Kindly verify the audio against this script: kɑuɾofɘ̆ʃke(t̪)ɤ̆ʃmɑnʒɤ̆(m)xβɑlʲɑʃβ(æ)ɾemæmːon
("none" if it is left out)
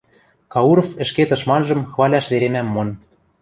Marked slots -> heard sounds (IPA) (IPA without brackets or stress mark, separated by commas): t̪, m, e